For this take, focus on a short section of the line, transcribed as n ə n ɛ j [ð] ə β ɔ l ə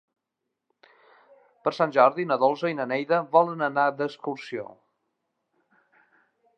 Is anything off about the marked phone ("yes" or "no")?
no